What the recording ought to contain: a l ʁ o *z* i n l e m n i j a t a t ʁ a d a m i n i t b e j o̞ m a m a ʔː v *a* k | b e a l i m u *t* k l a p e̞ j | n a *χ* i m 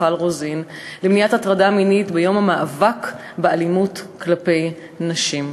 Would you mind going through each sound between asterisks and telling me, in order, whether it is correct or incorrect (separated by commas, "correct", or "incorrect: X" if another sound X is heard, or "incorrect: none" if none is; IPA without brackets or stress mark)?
correct, correct, correct, incorrect: ʃ